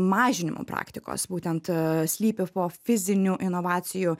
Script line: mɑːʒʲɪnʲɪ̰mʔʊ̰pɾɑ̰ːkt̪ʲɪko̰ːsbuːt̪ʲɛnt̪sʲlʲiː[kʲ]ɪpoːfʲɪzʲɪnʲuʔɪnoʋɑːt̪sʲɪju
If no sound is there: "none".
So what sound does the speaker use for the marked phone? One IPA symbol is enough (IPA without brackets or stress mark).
pʲ